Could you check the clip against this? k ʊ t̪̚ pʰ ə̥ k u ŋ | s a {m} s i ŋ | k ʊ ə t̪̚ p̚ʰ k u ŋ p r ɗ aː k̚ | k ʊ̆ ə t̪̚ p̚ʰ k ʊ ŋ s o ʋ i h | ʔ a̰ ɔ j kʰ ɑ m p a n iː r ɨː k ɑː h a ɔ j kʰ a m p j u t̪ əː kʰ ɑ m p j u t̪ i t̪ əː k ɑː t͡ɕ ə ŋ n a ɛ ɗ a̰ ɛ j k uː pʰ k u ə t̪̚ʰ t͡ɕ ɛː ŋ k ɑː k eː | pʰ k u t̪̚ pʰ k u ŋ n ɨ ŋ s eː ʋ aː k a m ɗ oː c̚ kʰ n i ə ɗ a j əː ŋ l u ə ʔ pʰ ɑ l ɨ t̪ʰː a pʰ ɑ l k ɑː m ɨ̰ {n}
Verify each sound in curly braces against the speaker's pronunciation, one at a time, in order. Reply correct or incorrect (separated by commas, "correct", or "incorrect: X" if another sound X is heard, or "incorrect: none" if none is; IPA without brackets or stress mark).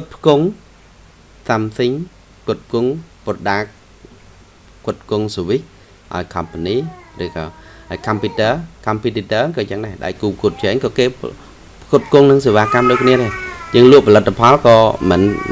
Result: correct, correct